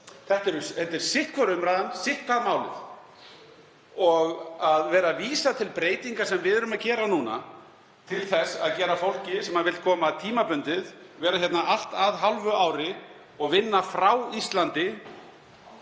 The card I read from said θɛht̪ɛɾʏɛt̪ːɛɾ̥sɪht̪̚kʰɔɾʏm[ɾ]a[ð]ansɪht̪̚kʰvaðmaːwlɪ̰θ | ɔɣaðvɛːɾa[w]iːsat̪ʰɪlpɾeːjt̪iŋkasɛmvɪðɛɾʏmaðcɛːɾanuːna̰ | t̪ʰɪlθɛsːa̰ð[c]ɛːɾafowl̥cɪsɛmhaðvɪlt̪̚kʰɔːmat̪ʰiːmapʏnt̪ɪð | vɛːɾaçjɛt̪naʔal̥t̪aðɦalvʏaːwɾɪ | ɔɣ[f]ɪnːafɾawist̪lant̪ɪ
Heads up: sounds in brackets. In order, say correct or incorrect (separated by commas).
correct, correct, incorrect, correct, incorrect